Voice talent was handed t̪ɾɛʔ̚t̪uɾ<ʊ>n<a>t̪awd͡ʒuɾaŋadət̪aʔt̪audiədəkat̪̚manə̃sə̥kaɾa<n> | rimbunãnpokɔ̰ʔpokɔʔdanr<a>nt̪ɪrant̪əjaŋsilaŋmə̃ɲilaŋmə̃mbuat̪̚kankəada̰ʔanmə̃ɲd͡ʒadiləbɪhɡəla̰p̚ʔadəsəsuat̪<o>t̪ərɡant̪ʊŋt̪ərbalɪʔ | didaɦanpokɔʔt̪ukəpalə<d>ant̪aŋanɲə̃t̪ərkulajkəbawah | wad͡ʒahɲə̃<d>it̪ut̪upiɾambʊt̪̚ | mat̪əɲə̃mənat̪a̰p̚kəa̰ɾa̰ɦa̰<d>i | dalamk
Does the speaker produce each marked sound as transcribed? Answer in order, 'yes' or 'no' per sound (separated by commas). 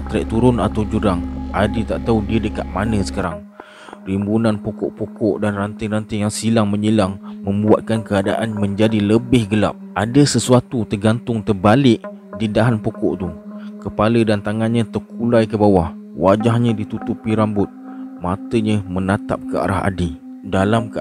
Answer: yes, yes, no, yes, no, yes, yes, yes